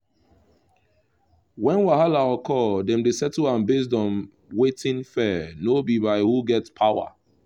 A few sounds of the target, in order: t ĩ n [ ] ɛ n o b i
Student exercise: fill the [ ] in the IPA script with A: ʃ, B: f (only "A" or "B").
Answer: B